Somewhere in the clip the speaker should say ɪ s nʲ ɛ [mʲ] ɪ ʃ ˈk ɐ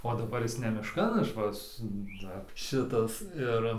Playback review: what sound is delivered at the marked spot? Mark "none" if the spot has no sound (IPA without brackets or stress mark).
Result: mʲ